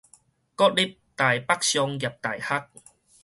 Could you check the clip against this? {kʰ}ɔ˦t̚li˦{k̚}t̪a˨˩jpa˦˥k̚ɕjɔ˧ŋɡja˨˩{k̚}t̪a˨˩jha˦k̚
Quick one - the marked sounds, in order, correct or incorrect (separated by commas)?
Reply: incorrect, incorrect, incorrect